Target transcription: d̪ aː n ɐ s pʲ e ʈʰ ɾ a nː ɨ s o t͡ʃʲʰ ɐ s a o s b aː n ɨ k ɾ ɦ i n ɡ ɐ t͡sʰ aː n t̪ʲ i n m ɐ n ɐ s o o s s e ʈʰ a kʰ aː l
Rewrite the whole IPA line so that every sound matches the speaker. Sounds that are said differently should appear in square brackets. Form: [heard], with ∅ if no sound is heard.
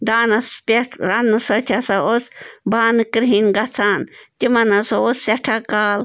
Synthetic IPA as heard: d̪ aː n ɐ s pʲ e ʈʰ ɾ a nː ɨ s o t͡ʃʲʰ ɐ s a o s b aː n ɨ k ɾ ɦ i n ɡ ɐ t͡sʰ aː n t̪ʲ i [∅] m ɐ n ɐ s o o s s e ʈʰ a [k] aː l